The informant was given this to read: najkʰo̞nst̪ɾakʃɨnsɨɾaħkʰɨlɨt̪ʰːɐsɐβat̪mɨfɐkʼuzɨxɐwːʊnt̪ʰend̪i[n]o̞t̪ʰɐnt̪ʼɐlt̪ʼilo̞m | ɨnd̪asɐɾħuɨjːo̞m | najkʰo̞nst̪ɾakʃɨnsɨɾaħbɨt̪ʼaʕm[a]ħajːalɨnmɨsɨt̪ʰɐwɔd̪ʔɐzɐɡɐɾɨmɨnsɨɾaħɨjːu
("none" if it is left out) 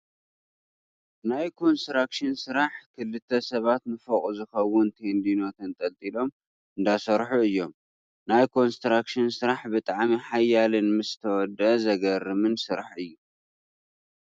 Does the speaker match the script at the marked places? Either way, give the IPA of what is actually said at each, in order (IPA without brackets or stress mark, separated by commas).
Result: n, i